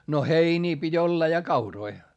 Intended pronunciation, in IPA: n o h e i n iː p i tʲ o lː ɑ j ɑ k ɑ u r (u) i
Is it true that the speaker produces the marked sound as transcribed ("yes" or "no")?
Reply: no